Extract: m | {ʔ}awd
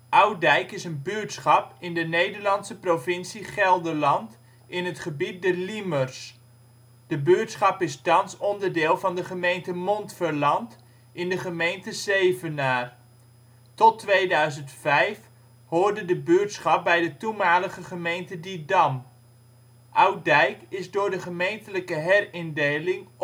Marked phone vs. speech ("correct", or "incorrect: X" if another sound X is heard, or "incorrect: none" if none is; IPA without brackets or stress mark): correct